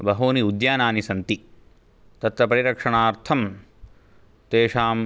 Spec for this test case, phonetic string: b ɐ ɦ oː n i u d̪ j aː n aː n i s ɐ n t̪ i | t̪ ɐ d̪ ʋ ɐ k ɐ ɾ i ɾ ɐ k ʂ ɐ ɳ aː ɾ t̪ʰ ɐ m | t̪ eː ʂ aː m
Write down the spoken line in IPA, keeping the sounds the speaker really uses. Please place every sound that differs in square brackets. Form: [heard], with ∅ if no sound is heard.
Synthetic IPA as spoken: b ɐ ɦ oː n i u d̪ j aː n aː n i s ɐ n t̪ i | t̪ ɐ [t̪] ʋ ɐ [p] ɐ ɾ i ɾ ɐ k ʂ ɐ ɳ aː ɾ t̪ʰ ɐ m | t̪ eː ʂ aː m